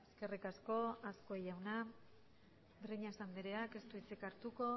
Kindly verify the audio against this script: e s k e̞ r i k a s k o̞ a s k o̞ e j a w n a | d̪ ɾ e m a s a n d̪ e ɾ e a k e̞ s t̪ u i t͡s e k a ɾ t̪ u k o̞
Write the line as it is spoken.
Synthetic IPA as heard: e s k e̞ r i k a s k o̞ a s k o̞ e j a w n a | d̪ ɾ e ɲ a s a n d̪ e ɾ e a k e̞ s t̪ u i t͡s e k a ɾ t̪ u k o̞